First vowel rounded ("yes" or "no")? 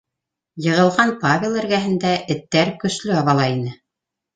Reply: no